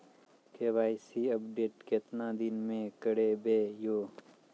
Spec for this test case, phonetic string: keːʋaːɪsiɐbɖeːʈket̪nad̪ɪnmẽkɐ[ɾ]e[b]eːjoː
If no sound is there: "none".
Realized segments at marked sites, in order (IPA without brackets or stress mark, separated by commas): ɽ, b